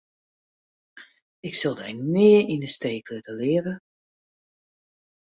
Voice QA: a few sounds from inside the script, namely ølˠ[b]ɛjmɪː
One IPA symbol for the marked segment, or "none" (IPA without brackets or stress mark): d